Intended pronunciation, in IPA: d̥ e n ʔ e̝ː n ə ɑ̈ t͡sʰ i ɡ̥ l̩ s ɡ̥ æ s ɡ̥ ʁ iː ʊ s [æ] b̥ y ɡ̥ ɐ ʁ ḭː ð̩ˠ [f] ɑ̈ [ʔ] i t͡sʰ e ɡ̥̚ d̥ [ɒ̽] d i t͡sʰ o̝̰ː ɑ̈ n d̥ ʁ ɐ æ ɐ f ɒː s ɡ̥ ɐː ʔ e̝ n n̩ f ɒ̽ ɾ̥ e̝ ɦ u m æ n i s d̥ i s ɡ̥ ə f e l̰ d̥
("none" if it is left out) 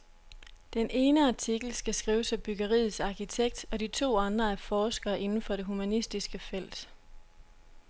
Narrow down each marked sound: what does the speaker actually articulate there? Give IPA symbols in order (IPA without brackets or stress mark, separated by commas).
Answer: æ, s, k, ɒ̽